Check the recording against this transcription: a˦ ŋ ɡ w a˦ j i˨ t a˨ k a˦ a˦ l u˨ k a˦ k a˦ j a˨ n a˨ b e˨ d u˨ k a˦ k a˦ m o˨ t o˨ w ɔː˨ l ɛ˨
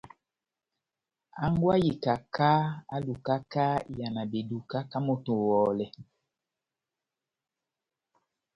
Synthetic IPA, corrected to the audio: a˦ ŋ ɡ w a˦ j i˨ k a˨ k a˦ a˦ l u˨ k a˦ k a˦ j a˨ n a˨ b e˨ d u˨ k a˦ k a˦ m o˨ t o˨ w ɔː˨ l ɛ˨